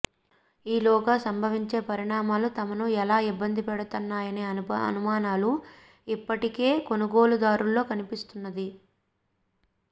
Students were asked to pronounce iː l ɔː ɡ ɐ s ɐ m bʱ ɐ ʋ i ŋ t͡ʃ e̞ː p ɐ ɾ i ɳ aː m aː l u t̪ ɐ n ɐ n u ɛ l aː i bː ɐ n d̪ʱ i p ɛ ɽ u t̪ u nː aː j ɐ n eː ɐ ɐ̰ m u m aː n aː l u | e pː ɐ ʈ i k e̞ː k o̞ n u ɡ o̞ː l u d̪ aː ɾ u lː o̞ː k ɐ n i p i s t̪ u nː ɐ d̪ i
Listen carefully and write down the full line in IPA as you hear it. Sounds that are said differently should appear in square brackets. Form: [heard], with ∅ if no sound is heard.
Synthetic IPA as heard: iː l ɔː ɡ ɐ s ɐ m bʱ ɐ ʋ i [ɲ] t͡ʃ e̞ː p ɐ ɾ i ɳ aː m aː l u t̪ ɐ [m] ɐ n u ɛ l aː i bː ɐ n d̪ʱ i p ɛ ɽ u t̪ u nː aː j ɐ n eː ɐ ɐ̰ [n] u m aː n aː l u | [i] pː ɐ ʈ i k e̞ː k o̞ n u ɡ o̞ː l u d̪ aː ɾ u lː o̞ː k ɐ n i p i s t̪ u nː ɐ d̪ i